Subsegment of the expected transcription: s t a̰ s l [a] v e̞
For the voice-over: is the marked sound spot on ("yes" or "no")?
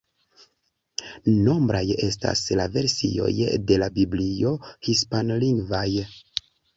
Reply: yes